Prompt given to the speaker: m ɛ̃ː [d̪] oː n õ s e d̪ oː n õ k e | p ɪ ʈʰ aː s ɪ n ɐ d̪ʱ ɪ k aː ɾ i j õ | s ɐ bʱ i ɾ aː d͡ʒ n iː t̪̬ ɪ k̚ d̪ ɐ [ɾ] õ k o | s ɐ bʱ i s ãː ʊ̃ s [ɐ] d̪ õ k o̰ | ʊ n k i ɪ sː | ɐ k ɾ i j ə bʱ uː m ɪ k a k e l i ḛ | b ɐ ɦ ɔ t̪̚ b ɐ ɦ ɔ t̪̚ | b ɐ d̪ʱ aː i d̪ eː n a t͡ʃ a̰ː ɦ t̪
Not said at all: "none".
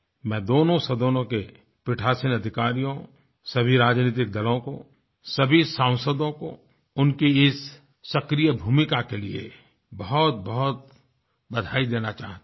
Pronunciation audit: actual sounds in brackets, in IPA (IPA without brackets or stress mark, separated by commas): d̪, l, ə